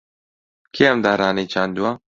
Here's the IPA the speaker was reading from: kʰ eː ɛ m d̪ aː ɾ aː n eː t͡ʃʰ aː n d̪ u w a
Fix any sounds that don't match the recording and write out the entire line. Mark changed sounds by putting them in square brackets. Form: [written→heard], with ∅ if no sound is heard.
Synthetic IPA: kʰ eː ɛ m d̪ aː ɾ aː n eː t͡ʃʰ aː n d̪ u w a